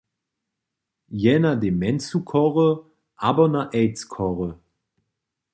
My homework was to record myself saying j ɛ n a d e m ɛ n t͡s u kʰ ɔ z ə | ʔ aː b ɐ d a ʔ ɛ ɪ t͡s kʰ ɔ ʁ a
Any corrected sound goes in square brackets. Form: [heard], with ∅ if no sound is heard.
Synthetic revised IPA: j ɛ n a d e m ɛ n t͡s u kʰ ɔ [ʁ] ə | ʔ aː b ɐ [n] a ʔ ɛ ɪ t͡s kʰ ɔ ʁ [ə]